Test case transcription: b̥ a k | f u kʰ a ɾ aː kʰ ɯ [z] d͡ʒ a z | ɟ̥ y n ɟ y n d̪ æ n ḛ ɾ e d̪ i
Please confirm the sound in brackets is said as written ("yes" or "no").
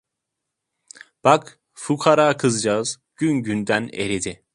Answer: yes